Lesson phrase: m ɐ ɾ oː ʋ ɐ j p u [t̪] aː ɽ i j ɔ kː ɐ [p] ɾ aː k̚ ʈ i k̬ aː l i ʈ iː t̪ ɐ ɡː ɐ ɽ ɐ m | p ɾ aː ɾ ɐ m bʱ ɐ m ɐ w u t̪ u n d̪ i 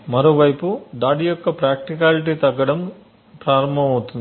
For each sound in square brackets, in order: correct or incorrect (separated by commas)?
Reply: incorrect, correct